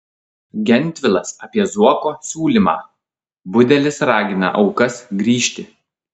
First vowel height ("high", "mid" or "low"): mid